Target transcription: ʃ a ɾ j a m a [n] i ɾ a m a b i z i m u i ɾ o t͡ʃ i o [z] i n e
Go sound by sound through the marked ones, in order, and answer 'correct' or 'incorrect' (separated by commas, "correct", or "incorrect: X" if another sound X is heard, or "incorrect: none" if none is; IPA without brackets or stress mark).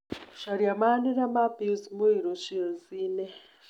correct, correct